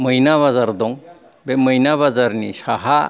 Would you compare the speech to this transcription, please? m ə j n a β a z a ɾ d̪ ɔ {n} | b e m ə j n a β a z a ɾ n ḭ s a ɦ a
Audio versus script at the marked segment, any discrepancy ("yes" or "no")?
yes